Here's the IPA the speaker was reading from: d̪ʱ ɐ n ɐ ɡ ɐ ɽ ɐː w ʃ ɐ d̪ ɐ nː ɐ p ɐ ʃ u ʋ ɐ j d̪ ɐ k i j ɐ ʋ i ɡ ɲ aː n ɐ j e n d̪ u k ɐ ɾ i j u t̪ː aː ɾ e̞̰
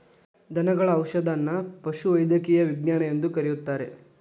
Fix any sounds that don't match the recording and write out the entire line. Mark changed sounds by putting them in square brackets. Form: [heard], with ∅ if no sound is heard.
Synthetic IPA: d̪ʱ ɐ n ɐ ɡ ɐ [ɭ] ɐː w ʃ ɐ d̪ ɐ nː ɐ p ɐ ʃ u ʋ ɐ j d̪ ɐ k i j ɐ ʋ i ɡ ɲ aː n ɐ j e n d̪ u k ɐ ɾ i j u t̪ː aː ɾ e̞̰